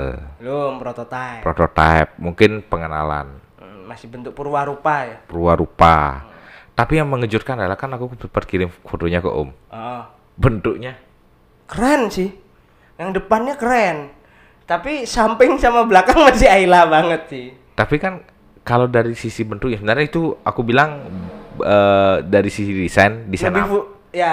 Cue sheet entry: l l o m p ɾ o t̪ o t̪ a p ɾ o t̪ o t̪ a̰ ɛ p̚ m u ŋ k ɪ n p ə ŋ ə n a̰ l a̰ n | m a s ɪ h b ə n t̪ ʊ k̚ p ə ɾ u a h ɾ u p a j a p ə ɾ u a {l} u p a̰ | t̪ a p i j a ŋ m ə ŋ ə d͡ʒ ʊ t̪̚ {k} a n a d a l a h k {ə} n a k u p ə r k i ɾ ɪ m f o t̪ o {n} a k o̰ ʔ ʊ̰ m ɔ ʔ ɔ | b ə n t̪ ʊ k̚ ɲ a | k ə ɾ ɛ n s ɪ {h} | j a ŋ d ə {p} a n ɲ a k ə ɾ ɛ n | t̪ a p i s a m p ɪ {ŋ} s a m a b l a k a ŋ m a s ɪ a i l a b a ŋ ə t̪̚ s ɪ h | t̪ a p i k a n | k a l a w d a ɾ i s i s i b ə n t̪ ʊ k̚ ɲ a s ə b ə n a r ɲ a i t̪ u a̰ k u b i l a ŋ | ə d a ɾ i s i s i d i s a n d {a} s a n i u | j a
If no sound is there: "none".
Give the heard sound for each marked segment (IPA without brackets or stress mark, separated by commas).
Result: ɾ, k, a, ɲ, h, p, ŋ, i